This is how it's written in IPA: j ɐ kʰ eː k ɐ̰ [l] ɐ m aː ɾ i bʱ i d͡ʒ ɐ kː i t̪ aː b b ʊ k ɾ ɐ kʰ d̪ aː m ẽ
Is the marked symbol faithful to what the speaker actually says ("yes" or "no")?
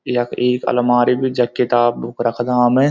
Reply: yes